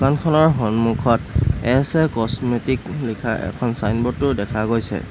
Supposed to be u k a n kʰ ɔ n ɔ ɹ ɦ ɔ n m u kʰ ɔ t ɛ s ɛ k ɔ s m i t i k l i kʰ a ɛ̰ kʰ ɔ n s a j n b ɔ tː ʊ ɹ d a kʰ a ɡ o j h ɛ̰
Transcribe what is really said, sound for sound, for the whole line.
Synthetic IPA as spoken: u k a n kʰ ɔ n ɔ ɹ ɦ ɔ n m u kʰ ɔ t ɛ s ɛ k ɔ s m e t i k l i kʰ a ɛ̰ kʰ ɔ n s a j n b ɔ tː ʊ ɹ d ɛ kʰ a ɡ o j s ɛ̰

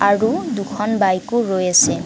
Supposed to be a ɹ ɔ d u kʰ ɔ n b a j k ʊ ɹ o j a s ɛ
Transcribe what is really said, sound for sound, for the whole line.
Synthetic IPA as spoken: a ɹ u d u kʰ ɔ n b a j k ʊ ɹ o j a s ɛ

